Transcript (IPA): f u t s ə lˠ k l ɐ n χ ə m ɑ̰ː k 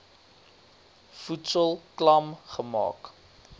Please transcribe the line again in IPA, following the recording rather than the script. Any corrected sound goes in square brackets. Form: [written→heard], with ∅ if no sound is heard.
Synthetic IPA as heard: f u t s ə lˠ k l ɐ [n→m] χ ə m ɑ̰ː k